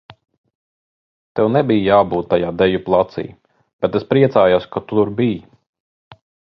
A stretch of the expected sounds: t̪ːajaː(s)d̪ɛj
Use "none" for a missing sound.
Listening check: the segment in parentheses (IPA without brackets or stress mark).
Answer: none